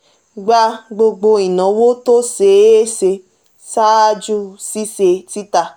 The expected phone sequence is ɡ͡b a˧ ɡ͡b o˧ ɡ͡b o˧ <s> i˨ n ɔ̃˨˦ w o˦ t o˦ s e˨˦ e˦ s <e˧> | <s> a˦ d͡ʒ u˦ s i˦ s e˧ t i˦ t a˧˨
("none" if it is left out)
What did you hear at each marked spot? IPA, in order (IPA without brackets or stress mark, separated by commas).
none, e˧, s